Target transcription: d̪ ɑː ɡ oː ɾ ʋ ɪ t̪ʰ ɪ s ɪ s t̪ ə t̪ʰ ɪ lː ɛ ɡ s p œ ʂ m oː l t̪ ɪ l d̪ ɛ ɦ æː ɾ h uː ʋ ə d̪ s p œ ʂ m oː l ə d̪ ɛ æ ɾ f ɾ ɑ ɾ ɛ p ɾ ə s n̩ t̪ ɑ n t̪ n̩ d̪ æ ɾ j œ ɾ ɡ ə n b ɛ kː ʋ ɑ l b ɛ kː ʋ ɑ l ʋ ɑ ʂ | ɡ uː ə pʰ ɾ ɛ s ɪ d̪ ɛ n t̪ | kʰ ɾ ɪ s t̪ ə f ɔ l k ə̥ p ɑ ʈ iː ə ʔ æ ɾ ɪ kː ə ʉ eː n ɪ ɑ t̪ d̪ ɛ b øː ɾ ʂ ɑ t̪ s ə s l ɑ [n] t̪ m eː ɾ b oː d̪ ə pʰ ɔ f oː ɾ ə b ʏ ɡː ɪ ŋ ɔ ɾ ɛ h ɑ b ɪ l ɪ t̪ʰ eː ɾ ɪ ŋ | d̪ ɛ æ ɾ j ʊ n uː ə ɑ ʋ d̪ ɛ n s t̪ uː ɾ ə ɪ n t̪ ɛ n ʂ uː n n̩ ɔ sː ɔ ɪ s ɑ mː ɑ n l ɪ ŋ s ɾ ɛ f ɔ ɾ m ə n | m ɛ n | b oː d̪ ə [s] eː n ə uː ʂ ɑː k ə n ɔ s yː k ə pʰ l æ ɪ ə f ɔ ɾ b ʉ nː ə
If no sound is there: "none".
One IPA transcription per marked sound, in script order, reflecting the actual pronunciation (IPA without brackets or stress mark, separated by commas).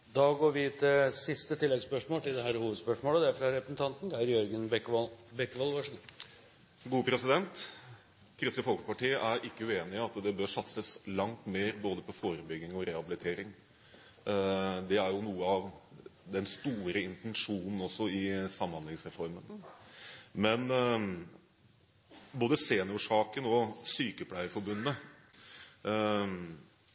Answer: ŋ, s